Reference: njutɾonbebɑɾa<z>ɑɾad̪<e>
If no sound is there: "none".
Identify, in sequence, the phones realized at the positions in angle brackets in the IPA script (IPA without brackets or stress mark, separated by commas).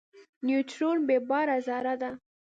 z, a